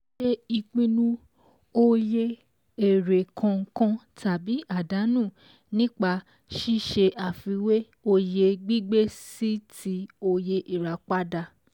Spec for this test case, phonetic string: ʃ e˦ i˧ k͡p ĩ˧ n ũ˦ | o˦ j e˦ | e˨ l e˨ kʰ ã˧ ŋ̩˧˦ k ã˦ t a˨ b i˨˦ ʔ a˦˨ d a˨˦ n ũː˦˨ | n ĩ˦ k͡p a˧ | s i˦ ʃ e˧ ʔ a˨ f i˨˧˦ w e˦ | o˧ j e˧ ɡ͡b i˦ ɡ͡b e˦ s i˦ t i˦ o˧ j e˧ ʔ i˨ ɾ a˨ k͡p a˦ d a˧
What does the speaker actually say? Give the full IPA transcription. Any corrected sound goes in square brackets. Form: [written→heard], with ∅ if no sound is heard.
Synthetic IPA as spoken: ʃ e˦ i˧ k͡p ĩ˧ n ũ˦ | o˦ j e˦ | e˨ [l→ɾ] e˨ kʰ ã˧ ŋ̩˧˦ k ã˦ t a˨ b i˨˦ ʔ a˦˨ d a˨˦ n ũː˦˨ | n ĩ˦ k͡p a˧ | [s→ʃ] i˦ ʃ e˧ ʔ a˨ f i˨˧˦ w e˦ | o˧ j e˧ ɡ͡b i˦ ɡ͡b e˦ s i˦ t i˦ o˧ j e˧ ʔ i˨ ɾ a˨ k͡p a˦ d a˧